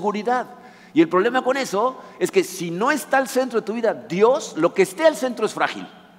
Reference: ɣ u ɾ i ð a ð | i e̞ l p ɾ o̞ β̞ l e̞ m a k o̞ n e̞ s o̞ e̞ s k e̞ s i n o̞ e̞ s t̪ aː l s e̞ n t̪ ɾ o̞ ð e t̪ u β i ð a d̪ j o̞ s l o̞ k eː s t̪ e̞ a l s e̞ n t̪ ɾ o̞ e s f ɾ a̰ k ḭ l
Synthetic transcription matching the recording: ɣ u ɾ i ð a ð | i e̞ l p ɾ o̞ β̞ l e̞ m a k o̞ n e̞ s o̞ e̞ s k e̞ s i n o̞ e̞ s t̪ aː l s e̞ n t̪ ɾ o̞ ð e t̪ u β i ð a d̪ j o̞ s l o̞ k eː s t̪ e̞ a l s e̞ n t̪ ɾ o̞ e s f ɾ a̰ x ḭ l